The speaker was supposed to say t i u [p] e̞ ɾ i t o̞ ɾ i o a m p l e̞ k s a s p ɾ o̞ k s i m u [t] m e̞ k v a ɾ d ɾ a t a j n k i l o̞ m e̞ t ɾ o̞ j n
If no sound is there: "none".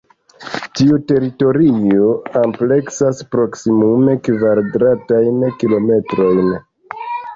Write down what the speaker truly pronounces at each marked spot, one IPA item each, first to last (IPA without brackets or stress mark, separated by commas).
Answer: t, none